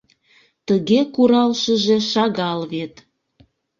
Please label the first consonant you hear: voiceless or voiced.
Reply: voiceless